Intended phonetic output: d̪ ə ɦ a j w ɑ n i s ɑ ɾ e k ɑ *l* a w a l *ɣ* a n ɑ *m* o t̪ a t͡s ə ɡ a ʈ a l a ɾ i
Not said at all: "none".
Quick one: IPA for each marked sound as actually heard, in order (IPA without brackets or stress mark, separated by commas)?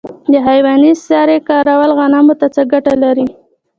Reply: ɾ, ɣ, m